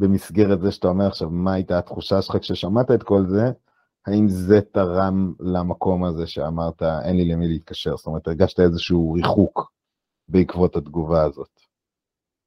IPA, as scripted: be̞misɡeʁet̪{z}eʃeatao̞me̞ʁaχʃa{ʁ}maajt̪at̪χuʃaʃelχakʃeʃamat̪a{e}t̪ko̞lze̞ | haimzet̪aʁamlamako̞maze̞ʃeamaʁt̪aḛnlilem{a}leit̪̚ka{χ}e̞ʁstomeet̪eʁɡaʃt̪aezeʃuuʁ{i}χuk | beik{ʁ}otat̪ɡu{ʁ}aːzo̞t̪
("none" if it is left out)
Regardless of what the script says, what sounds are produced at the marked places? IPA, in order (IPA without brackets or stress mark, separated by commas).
z, v, e, i, ʃ, i, v, v